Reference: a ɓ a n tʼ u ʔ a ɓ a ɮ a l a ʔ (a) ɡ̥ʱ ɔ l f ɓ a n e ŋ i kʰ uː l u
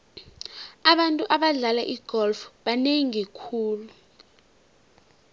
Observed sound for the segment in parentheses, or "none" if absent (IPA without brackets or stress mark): i